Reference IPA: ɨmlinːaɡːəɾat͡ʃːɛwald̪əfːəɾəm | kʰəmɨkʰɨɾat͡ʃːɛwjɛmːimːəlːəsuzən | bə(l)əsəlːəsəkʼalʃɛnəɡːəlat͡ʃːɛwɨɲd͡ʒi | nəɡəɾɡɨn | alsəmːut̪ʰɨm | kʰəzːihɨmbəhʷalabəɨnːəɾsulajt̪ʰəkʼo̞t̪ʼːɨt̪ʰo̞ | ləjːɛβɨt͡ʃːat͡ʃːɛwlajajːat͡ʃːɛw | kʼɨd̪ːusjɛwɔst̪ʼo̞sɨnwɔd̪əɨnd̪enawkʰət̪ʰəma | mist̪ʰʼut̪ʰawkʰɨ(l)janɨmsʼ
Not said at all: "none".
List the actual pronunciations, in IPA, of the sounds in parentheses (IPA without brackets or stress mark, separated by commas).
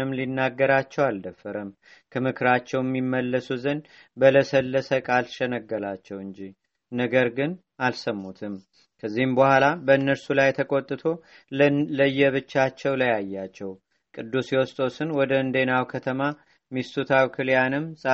l, l